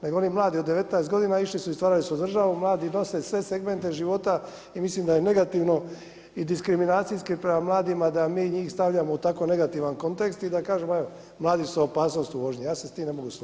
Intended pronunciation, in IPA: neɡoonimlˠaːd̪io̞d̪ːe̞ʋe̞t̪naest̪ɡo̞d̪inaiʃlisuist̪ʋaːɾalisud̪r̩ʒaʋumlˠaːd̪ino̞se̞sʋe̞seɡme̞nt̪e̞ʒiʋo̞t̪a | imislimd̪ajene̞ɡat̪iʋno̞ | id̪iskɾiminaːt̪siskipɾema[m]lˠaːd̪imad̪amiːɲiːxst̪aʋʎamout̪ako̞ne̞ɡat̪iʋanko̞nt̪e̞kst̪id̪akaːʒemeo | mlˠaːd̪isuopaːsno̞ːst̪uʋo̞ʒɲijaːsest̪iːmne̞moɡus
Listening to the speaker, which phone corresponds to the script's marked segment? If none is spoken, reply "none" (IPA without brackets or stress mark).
m